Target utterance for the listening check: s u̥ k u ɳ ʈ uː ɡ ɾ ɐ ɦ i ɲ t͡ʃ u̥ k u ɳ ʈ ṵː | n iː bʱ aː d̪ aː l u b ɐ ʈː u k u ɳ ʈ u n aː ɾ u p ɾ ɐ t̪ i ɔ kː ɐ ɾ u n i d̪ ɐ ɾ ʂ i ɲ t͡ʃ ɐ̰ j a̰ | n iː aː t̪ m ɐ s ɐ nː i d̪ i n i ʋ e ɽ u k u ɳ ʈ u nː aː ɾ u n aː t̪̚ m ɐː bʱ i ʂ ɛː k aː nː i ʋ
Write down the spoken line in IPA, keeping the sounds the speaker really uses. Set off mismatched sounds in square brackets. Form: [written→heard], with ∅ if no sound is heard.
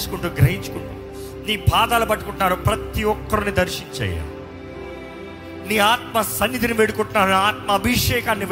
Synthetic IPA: s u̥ k u ɳ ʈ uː ɡ ɾ ɐ ɦ i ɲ t͡ʃ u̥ k u ɳ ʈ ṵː | n iː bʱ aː d̪ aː l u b ɐ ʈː u k u ɳ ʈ u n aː ɾ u p ɾ ɐ t̪ i ɔ kː ɐ ɾ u n i d̪ ɐ ɾ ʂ i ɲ t͡ʃ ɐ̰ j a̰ | n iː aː t̪ m ɐ s ɐ nː i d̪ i n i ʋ e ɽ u k u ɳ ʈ u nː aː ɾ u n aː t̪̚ m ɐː bʱ i ʂ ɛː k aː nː i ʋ